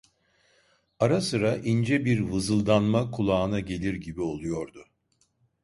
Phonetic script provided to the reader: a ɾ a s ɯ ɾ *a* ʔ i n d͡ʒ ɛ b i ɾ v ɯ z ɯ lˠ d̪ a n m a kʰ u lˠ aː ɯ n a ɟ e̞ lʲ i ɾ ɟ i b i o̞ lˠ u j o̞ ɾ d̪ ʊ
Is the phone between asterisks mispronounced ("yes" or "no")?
no